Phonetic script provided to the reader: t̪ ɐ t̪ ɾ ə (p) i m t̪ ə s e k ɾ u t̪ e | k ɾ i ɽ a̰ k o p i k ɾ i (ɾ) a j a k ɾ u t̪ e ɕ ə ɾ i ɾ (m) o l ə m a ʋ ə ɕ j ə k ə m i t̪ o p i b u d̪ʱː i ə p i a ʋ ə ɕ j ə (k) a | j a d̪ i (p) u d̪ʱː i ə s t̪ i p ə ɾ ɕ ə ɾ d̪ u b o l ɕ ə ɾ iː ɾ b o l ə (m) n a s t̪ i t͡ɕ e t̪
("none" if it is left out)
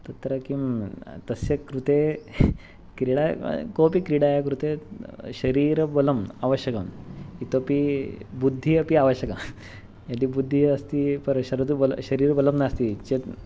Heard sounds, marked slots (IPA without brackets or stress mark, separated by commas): k, ɽ, b, k, b, m